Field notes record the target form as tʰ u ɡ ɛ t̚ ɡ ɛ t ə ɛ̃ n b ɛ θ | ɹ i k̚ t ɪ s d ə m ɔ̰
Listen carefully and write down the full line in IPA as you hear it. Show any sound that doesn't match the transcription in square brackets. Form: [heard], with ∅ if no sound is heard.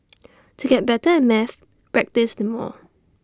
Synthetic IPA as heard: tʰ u ɡ ɛ t̚ [b] ɛ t ə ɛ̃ n [m] ɛ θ | ɹ [ɛ] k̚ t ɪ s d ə m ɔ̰